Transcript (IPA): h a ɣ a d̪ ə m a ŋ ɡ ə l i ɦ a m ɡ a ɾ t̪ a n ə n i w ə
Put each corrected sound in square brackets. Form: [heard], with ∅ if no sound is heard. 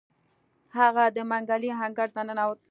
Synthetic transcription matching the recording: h a ɣ a d̪ ə m a ŋ ɡ [a] l i ɦ a [ŋ] ɡ a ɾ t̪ a n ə n [a] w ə